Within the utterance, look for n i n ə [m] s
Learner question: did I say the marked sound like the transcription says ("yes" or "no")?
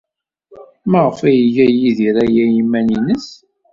no